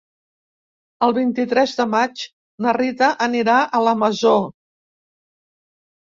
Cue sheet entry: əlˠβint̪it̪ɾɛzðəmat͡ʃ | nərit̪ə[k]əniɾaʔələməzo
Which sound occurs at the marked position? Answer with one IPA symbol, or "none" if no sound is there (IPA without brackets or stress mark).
ʔ